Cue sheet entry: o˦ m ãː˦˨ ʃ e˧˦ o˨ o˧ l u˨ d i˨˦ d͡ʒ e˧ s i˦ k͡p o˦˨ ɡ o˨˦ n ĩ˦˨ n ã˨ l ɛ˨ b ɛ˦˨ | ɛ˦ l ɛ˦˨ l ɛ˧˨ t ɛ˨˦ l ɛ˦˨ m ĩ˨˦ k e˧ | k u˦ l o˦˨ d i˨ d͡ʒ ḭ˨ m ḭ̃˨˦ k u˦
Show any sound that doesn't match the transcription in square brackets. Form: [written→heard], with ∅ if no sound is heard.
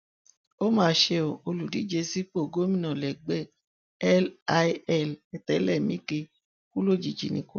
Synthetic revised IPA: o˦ m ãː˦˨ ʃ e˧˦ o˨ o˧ l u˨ d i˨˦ d͡ʒ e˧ s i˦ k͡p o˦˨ ɡ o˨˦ [n→m] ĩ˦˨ n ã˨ l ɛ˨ [b→ɡ͡b] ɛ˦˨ | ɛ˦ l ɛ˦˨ l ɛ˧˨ t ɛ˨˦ l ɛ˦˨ m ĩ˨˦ k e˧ | k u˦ l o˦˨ [d→d͡ʒ] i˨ d͡ʒ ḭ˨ [m→n] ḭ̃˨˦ k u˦